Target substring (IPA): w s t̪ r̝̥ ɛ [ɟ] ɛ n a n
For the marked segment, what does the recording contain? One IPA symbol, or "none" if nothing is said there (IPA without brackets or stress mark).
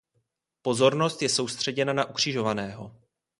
ɟ